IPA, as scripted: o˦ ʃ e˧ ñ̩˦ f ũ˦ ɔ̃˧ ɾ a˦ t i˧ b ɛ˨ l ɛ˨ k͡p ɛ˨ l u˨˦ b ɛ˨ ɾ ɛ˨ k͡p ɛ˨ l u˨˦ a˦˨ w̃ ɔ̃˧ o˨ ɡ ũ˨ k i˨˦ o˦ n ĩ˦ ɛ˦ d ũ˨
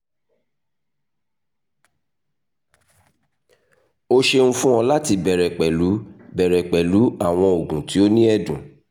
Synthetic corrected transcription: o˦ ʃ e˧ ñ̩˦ f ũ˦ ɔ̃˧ l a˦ t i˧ b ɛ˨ ɾ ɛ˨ k͡p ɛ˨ l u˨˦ b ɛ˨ ɾ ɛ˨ k͡p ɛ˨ l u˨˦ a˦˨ w̃ ɔ̃˧ o˨ ɡ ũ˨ t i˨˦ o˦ n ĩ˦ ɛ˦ d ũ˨